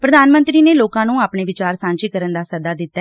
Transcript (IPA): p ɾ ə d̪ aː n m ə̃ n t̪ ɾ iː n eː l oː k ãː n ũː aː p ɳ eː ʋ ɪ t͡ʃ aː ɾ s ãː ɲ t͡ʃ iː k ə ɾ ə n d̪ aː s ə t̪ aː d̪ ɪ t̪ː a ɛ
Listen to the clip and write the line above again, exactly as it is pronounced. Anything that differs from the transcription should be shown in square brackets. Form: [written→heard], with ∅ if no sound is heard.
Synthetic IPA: p ɾ ə d̪ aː n m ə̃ n t̪ ɾ iː n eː l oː k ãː n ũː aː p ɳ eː ʋ ɪ t͡ʃ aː ɾ s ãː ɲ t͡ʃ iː k ə ɾ ə n d̪ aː s ə [t̪→d̪] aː d̪ ɪ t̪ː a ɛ